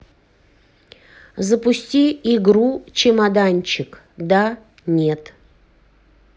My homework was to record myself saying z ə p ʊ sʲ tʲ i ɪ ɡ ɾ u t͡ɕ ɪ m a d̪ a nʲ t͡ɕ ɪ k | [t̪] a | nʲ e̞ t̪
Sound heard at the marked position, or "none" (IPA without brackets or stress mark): d̪